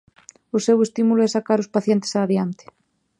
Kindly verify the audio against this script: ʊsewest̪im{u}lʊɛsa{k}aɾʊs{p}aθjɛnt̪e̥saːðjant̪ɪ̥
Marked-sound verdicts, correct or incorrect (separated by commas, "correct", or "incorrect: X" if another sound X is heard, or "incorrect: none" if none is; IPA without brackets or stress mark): correct, correct, correct